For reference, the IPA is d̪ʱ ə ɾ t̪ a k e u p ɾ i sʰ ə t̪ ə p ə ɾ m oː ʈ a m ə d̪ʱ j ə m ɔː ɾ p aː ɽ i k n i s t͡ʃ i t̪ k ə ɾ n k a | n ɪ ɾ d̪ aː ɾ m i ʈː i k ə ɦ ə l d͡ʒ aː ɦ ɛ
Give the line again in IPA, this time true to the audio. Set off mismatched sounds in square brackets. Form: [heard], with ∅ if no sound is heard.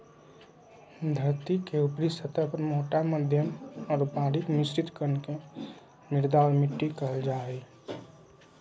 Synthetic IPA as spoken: d̪ʱ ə ɾ t̪ [i] k e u p ɾ i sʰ ə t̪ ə p ə ɾ m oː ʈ a m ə d̪ʱ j ə m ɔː ɾ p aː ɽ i k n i s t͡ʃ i t̪ k ə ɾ n k [e] | n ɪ ɾ d̪ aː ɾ m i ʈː i k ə ɦ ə l d͡ʒ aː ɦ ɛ